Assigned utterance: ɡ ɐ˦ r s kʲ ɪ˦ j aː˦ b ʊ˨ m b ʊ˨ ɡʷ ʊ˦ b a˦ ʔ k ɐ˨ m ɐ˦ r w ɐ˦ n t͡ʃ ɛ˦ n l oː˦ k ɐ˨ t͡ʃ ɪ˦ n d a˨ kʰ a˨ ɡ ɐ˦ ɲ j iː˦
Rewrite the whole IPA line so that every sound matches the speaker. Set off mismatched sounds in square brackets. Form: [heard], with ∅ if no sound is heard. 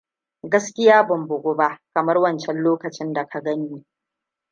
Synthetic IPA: ɡ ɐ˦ [∅] s kʲ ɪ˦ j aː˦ b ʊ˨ m b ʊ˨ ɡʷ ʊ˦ b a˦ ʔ k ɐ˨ m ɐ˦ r w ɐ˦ n t͡ʃ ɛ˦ n l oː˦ k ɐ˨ t͡ʃ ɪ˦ n d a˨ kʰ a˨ ɡ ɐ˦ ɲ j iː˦